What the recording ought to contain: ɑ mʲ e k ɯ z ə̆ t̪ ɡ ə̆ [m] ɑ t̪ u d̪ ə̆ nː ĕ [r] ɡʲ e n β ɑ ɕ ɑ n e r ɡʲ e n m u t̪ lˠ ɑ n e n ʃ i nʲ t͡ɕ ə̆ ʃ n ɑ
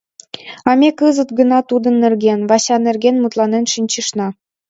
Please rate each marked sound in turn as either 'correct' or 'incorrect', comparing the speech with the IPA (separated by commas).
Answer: incorrect, correct